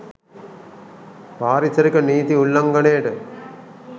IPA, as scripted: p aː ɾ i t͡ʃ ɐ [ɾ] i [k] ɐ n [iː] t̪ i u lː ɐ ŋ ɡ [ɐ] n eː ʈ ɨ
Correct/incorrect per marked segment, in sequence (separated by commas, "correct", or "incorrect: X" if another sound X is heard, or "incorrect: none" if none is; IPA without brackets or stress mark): correct, correct, correct, correct